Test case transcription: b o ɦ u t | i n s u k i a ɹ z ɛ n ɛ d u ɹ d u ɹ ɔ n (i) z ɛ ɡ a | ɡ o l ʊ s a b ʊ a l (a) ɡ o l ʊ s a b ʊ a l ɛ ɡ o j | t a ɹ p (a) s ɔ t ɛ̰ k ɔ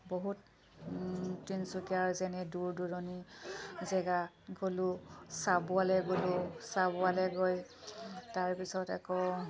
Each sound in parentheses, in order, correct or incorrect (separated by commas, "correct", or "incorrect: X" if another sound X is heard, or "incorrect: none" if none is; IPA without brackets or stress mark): correct, incorrect: ɛ, incorrect: i